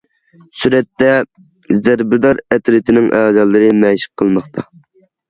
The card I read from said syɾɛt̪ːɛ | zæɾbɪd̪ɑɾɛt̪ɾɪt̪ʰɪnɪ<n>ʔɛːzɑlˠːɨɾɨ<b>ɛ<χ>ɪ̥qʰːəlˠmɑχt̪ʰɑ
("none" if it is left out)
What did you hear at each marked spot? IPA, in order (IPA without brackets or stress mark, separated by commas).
ŋ, m, ʃ